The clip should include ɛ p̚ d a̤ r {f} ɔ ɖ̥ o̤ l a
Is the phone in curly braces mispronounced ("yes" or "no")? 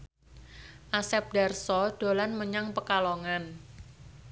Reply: yes